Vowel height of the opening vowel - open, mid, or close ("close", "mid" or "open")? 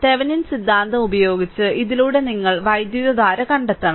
mid